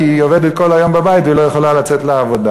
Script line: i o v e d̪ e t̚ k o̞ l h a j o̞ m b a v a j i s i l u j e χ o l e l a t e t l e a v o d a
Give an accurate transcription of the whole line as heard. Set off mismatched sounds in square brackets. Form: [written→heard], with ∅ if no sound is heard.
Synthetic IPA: i o v e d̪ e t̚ k o̞ l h a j o̞ m b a [v→b] a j i [s→t] i l [u→o] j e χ o l [e→a] l a [t→t͡s] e t l e a v o d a